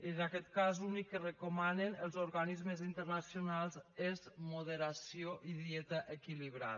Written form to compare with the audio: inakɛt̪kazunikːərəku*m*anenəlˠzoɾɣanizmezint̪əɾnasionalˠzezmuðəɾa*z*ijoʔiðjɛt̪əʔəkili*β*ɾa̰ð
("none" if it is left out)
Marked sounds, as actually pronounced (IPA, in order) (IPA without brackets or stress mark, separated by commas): m, s, β